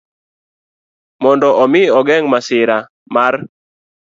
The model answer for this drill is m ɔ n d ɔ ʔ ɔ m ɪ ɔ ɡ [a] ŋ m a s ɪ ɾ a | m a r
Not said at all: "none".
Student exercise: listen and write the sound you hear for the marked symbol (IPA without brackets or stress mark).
ɛ